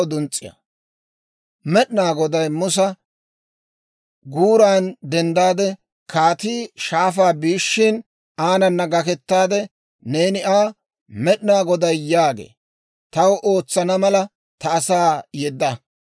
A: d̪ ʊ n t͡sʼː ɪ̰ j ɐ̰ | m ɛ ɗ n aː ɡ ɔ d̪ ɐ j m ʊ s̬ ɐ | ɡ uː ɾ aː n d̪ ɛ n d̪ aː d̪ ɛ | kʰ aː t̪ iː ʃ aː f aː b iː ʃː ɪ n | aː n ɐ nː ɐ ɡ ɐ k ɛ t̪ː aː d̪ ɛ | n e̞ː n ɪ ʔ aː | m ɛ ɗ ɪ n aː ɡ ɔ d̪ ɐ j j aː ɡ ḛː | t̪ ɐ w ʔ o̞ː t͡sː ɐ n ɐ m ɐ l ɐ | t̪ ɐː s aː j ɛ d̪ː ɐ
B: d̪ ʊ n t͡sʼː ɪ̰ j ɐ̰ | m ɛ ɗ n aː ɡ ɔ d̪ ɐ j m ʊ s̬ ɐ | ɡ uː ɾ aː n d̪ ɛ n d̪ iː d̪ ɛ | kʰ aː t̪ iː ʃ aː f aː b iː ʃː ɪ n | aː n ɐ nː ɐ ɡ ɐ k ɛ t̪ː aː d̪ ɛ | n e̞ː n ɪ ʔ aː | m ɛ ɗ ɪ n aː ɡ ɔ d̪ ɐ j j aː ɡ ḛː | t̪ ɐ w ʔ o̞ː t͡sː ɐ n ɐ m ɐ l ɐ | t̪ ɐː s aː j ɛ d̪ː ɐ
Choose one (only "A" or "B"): A